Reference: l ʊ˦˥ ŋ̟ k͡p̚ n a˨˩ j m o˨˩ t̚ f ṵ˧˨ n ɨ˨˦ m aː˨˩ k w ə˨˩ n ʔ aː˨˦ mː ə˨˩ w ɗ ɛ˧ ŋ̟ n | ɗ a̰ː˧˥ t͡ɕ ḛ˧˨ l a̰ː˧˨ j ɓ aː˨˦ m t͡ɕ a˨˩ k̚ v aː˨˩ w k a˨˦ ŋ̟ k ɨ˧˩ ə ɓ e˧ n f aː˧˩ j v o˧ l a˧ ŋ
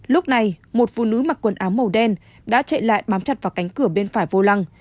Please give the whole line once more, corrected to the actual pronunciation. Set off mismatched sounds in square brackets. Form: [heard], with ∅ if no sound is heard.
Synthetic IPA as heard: l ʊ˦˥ [∅] k͡p̚ n a˨˩ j m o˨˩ t̚ f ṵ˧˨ n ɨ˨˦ m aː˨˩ k w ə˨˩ n ʔ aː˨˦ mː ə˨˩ w ɗ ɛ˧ [∅] n | ɗ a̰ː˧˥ t͡ɕ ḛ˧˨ l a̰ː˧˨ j ɓ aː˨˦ m t͡ɕ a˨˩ [t̚] v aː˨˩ w k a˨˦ ŋ̟ k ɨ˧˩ ə ɓ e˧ n f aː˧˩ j v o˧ l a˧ ŋ